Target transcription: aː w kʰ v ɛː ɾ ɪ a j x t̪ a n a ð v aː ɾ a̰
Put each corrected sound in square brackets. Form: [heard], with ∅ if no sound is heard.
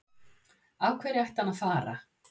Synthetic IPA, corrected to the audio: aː w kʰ v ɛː ɾ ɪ a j [h] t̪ a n a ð [f] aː ɾ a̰